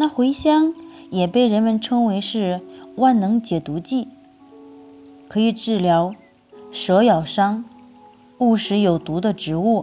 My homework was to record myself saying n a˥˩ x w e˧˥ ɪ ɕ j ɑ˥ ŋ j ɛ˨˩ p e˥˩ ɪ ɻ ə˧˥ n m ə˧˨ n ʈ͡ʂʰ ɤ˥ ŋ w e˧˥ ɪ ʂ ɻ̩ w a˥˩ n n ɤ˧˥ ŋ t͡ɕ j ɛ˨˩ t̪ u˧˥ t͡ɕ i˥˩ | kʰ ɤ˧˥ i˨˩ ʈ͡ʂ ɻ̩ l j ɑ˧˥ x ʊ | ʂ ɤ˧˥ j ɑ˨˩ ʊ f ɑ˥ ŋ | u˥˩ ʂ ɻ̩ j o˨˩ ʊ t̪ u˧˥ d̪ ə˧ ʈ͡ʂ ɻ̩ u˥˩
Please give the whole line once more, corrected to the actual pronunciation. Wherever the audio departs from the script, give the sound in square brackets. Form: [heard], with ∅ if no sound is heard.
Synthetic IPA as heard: n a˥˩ x w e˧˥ ɪ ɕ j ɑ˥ ŋ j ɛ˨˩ p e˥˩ ɪ ɻ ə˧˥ n m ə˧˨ n ʈ͡ʂʰ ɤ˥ ŋ w e˧˥ ɪ ʂ ɻ̩ w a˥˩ n n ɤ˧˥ ŋ t͡ɕ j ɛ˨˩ t̪ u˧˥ t͡ɕ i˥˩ | kʰ ɤ˧˥ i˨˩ ʈ͡ʂ ɻ̩ l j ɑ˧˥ [∅] ʊ | ʂ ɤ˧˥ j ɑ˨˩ ʊ [ʂ] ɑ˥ ŋ | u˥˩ ʂ ɻ̩ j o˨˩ ʊ t̪ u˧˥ d̪ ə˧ ʈ͡ʂ ɻ̩ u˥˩